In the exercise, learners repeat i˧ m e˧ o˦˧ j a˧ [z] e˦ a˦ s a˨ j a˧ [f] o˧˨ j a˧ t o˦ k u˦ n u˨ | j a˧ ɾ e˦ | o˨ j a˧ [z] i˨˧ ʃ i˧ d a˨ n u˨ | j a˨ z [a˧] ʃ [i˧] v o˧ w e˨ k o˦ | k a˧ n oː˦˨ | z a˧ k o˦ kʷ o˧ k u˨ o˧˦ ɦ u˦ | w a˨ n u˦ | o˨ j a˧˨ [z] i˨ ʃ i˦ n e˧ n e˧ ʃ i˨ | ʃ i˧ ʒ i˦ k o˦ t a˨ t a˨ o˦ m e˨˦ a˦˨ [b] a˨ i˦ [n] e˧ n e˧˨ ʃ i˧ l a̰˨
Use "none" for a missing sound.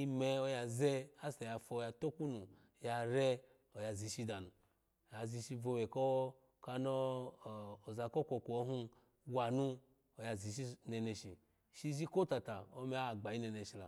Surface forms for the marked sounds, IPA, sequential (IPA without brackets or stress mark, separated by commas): z, f, z, i˧, i˧, z, ɡ͡b, n